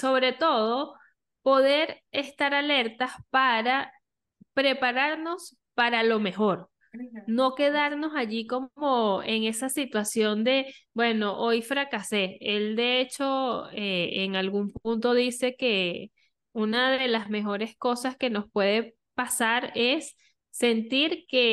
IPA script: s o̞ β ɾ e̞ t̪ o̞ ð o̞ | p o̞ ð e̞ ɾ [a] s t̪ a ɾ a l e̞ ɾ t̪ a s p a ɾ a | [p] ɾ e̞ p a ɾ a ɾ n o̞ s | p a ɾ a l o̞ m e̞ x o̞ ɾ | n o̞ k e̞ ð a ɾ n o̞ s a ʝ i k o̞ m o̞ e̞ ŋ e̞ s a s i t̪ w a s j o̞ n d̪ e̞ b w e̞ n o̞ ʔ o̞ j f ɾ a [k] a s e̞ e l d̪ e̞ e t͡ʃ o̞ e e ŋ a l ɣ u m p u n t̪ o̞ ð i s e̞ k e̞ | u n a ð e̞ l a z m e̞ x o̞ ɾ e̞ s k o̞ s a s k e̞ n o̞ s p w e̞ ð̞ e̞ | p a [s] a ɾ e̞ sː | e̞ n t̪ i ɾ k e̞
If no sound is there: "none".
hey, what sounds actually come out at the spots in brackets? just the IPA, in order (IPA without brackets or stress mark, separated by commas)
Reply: e, p, k, s